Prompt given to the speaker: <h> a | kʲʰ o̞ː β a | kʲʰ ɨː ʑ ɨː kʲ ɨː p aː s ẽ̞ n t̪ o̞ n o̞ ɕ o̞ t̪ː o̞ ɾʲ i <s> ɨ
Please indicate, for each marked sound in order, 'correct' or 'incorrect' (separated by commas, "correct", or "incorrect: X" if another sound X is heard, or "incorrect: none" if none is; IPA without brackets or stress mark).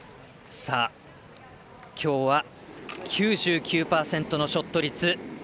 incorrect: s, incorrect: t͡s